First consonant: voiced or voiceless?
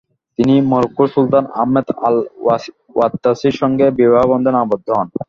voiceless